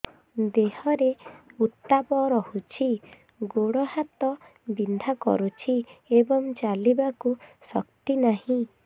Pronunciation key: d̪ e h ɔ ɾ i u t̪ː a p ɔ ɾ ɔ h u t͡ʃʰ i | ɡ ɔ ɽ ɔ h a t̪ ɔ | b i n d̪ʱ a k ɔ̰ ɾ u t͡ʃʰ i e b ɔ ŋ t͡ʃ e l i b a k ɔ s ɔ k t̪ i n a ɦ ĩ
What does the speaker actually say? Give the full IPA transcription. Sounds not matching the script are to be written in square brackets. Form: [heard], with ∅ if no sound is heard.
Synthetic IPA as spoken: d̪ e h ɔ ɾ [e] u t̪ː a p ɔ ɾ ɔ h u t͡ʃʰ i | ɡ [o] ɽ ɔ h a t̪ ɔ | b i n d̪ʱ a k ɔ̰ ɾ u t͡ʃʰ i e b ɔ ŋ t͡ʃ [a] l i b a k [u] s ɔ k t̪ i n a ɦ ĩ